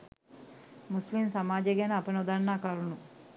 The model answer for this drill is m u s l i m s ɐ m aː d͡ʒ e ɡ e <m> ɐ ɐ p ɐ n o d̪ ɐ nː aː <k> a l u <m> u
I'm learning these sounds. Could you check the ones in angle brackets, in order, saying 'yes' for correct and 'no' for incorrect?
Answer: no, yes, no

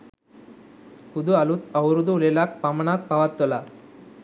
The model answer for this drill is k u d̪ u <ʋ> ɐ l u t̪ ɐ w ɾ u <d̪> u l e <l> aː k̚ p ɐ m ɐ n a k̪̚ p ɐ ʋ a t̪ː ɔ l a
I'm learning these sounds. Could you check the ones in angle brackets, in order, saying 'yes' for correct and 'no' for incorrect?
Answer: no, yes, yes

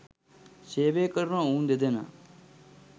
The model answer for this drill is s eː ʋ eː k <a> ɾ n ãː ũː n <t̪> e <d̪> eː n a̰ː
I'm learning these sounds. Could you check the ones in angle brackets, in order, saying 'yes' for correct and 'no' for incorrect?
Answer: no, no, yes

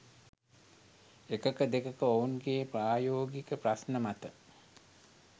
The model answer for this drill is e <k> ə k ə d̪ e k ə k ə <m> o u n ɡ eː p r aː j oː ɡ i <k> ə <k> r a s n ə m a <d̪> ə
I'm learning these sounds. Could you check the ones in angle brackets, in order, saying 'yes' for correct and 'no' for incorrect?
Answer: yes, no, yes, no, no

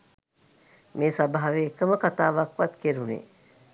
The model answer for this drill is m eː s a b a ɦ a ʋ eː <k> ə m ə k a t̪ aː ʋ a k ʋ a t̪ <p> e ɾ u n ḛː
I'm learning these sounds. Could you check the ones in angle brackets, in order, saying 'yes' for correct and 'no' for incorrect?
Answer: yes, no

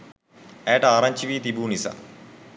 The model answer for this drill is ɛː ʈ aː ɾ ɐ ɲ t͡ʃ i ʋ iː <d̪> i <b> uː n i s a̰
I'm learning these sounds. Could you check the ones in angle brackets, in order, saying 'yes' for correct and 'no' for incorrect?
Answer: no, yes

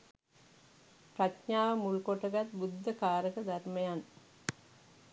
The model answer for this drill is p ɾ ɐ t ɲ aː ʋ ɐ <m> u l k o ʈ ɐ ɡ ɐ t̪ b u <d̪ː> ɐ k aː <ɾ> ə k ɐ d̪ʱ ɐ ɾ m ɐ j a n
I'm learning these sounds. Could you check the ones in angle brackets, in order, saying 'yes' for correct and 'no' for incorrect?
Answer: yes, yes, yes

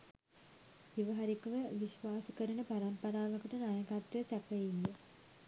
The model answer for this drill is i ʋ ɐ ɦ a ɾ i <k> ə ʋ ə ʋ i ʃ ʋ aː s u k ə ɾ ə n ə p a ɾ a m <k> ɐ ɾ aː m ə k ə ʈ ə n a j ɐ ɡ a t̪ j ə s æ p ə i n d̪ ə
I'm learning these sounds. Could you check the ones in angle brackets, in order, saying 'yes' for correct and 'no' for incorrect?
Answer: yes, no

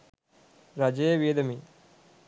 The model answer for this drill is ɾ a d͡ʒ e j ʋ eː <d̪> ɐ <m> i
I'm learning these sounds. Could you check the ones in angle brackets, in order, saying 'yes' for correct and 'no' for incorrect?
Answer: yes, yes

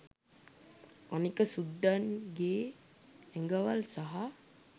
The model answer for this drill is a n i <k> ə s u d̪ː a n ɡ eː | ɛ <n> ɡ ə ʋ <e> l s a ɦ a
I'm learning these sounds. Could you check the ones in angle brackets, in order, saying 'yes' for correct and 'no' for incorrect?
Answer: yes, no, no

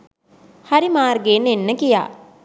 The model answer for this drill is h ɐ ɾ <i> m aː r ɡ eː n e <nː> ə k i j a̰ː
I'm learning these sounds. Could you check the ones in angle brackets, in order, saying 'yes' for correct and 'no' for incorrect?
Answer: yes, yes

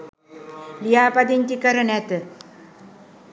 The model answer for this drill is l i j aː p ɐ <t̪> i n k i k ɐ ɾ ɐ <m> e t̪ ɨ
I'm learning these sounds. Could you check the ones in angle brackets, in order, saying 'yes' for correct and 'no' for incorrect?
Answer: no, no

